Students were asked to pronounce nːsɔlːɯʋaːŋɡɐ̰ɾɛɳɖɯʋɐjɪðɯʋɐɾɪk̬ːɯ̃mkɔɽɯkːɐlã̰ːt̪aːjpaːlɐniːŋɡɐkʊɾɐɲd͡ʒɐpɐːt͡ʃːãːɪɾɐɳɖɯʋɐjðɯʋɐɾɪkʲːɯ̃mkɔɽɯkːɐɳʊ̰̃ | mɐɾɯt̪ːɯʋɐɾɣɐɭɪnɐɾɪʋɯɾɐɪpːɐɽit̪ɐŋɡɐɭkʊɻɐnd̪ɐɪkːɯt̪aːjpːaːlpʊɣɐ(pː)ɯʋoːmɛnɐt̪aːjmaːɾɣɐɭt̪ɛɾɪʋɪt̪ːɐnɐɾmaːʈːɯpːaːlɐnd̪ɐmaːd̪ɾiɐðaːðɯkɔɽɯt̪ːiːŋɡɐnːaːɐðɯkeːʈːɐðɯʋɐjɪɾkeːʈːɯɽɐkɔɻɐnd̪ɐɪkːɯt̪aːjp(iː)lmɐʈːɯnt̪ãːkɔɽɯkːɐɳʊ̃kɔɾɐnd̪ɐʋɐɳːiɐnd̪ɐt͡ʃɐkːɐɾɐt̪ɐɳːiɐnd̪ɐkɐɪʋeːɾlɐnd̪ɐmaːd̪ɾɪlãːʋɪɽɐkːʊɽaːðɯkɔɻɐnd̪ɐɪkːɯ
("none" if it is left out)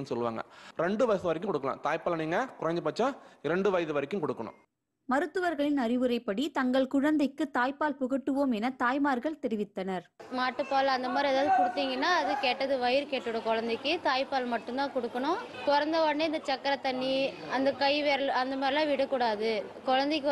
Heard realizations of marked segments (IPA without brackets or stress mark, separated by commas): ʈː, aː